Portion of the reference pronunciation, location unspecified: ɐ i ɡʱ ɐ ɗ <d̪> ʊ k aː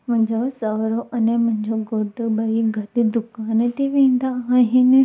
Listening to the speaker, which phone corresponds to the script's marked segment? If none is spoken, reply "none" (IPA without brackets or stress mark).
d̪